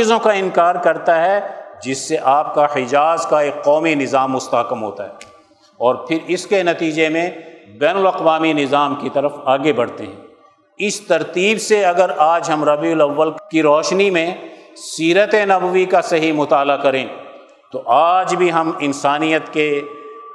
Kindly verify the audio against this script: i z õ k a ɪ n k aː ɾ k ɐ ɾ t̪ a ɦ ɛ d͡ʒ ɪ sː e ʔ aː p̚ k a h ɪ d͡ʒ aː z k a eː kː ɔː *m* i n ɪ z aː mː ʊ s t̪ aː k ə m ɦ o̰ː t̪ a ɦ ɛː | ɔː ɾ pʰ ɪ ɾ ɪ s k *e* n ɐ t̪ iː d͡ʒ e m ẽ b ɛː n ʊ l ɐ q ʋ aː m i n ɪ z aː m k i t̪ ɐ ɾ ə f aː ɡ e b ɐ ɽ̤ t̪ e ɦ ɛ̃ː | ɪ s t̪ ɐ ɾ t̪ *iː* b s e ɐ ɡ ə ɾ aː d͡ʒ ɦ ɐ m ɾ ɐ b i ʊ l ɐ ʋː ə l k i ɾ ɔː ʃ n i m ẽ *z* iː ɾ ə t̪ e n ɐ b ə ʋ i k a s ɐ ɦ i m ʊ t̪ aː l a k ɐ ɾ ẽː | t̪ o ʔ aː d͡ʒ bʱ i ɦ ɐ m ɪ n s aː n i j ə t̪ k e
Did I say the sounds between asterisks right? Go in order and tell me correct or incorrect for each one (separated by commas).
correct, correct, correct, incorrect